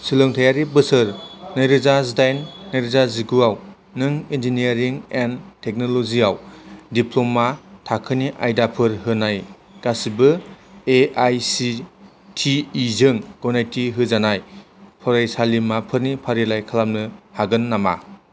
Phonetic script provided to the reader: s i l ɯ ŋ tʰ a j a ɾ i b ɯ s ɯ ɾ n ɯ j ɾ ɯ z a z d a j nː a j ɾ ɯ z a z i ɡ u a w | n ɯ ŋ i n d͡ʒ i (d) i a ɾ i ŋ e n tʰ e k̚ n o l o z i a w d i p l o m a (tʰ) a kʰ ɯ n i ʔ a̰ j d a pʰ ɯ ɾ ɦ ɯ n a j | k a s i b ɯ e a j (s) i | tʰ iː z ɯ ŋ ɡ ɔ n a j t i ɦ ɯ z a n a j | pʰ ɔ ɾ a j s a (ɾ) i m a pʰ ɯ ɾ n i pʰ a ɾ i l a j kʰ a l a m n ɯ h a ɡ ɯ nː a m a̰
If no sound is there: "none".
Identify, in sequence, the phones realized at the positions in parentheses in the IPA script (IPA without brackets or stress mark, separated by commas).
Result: n, tʰ, s, l